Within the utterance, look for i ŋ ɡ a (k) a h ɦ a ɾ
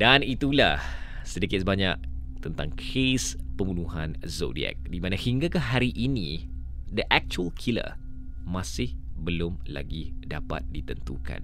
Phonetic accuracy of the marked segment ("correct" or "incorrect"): correct